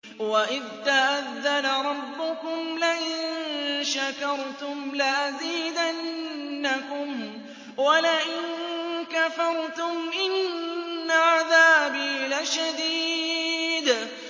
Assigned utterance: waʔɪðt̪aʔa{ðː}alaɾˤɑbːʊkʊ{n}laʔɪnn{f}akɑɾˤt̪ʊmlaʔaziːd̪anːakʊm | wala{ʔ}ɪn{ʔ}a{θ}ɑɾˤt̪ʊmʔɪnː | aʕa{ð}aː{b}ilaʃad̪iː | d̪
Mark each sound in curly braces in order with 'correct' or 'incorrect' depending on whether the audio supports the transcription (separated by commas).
correct, incorrect, incorrect, correct, incorrect, incorrect, correct, correct